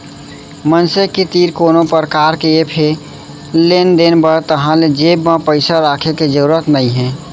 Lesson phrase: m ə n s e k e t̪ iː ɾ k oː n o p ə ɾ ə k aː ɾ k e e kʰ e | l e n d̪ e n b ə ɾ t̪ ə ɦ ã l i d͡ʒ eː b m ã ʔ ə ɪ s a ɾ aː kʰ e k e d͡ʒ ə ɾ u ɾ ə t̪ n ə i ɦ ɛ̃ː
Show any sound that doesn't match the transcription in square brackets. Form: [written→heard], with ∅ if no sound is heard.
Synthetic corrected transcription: m ə n s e k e t̪ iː ɾ k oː n o p ə ɾ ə k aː ɾ k e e [kʰ→pʰ] e | l e n d̪ e n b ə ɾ t̪ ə ɦ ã l [i→e] d͡ʒ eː b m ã [ʔ→p] ə ɪ s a ɾ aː kʰ e k e d͡ʒ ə ɾ u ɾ ə t̪ n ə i ɦ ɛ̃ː